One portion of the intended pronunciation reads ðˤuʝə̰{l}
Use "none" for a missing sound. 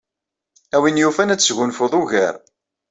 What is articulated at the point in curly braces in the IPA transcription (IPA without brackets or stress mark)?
ɾ